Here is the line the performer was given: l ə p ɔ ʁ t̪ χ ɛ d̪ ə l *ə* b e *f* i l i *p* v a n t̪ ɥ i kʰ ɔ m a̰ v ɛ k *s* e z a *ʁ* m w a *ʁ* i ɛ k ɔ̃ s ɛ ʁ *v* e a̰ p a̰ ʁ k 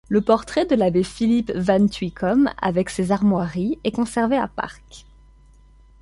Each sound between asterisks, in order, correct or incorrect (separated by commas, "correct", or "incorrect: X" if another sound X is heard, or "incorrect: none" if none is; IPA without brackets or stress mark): incorrect: a, correct, correct, correct, correct, correct, correct